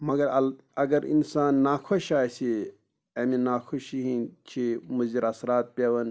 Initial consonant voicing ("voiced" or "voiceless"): voiced